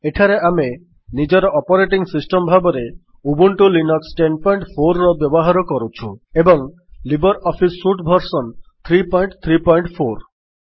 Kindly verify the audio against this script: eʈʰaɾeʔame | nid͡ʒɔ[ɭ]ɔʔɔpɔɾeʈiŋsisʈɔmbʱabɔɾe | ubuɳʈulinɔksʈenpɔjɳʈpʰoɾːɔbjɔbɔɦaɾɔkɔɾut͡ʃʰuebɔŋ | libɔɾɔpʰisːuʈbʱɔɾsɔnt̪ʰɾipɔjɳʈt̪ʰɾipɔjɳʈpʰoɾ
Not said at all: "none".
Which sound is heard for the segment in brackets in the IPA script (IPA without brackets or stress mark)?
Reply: ɾ